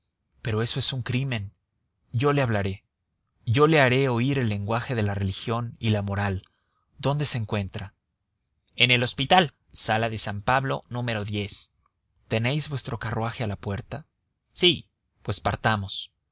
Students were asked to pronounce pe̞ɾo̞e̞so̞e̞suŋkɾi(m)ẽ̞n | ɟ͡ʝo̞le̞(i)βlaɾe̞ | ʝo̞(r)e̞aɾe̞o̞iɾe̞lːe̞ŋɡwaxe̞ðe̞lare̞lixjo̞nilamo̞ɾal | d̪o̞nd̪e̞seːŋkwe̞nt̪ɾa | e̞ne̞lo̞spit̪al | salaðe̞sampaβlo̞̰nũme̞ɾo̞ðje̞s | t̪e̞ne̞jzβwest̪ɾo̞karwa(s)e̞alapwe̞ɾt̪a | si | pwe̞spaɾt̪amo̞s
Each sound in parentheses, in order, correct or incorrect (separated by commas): correct, incorrect, incorrect, incorrect